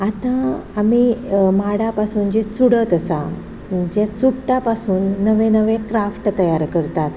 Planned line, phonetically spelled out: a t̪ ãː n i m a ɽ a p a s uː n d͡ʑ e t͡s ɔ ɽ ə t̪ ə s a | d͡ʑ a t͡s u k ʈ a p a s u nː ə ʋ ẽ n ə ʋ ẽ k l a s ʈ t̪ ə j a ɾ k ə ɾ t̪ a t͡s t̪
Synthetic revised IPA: a t̪ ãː m i m a ɽ a p a s uː n d͡ʑ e t͡s u ɽ ə t̪ ə s a | d͡ʑ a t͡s u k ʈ a p a s uː nː ə ʋ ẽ n ə ʋ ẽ k ɾ a f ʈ t̪ ə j a ɾ k ə ɾ t̪ a t̪

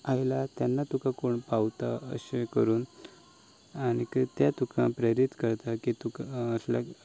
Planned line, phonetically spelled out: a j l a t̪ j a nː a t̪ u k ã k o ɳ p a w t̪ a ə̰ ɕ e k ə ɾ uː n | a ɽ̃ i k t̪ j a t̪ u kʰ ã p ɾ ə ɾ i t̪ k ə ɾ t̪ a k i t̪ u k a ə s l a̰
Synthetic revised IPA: a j l a t̪ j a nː a t̪ u k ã k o ɳ p a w t̪ a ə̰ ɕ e k ə ɾ uː n | a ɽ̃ i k t̪ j a t̪ u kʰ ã p ɾ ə ɾ i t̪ k ə ɾ t̪ a k i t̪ u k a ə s l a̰

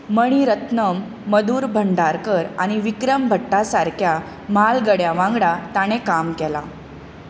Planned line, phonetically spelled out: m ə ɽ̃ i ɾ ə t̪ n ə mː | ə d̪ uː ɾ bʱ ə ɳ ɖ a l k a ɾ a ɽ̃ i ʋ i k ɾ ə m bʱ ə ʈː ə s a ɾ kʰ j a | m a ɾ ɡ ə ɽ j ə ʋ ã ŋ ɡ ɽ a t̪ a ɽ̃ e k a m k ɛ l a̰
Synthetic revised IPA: m ə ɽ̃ i ɾ ə t̪ n ə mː | ə d̪ uː ɾ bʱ ə ɳ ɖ a ɾ k ə ɾ a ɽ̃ i ʋ i k ɾ ə m bʱ ə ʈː a s a ɾ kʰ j a | m a l ɡ ə ɽ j a ʋ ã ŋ ɡ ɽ a t̪ a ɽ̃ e k a m k ɛ l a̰

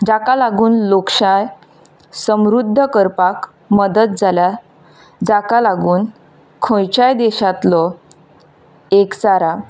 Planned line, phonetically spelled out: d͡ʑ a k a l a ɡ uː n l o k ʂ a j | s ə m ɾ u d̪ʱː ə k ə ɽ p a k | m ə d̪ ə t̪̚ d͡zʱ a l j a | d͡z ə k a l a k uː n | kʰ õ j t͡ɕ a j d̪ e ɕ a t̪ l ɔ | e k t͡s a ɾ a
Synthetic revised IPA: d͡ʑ a k a l a ɡ uː n l o k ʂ a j | s ə m ɾ u d̪ʱː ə k ə ɾ p a k | m ə d̪ ə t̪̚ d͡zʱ a l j a | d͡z a k a l a ɡ uː n | kʰ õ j t͡ɕ a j d̪ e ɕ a t̪ l ɔ | e k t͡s a ɾ a

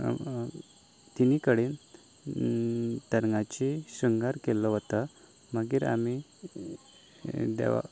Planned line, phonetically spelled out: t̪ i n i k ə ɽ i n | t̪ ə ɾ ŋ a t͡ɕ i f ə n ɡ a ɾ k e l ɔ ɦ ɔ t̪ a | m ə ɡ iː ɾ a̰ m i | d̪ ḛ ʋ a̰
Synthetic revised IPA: t̪ i n i k ə ɽ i n | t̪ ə ɾ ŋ a t͡ɕ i ɕ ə ŋ ɡ a ɾ k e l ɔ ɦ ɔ t̪ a | m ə ɡ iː ɾ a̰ m i | d̪ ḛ ʋ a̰

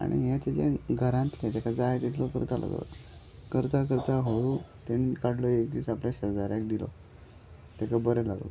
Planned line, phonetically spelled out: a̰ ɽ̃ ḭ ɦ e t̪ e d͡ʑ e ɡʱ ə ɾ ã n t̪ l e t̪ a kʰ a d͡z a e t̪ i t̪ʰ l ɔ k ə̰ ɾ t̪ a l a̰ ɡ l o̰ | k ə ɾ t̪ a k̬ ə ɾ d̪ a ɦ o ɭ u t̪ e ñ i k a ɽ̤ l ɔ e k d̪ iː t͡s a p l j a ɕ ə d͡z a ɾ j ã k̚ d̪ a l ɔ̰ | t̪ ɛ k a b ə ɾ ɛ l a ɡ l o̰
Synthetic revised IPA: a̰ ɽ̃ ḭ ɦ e t̪ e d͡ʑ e ɡʱ ə ɾ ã n t̪ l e t̪ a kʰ a d͡z a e t̪ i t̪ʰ l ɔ k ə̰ ɾ t̪ a l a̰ ɡ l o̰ | k ə ɾ t̪ a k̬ ə ɾ t̪ a ɦ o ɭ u t̪ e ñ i k a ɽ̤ l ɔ e k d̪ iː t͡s a p l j a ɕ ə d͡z a ɾ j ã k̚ d̪ i l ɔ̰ | t̪ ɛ k a b ə ɾ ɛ l a ɡ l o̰

